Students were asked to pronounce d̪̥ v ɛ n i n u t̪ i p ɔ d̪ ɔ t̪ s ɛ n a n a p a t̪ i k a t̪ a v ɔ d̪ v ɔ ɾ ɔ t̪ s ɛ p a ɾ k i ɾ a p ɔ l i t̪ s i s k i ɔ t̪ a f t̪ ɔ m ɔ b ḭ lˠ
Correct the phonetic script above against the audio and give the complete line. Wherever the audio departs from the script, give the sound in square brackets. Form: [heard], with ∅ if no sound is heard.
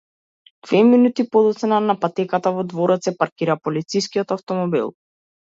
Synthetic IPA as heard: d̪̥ v ɛ [m] i n u t̪ i p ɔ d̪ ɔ t̪ s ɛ n a n a p a t̪ [ɛ] k a t̪ a v ɔ d̪ v ɔ ɾ ɔ t̪ s ɛ p a ɾ k i ɾ a p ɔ l i t̪ s i s k i ɔ t̪ a f t̪ ɔ m ɔ b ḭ lˠ